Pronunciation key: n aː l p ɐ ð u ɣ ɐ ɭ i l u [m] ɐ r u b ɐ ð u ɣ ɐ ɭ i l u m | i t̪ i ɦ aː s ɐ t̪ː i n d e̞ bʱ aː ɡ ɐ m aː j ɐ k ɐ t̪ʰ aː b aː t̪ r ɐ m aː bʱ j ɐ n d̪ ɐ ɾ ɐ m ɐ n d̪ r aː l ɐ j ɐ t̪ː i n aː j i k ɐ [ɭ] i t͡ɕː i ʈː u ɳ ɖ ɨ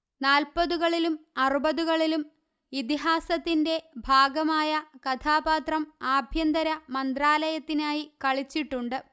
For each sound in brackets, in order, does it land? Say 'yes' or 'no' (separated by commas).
yes, yes